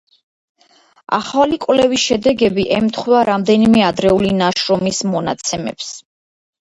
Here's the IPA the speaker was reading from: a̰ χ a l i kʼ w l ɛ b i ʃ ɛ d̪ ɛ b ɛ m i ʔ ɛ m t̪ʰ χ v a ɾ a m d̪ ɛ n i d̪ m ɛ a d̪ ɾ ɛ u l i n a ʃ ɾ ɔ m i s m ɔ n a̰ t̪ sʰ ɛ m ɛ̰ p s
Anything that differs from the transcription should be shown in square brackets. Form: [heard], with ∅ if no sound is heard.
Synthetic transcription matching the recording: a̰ χ a l i kʼ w l ɛ [v] i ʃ ɛ d̪ ɛ [ɡ] ɛ [b] i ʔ ɛ m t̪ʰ χ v a ɾ a m d̪ ɛ n i [∅] m ɛ a d̪ ɾ ɛ u l i n a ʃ ɾ ɔ m i s m ɔ n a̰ t̪ sʰ ɛ m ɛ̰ p s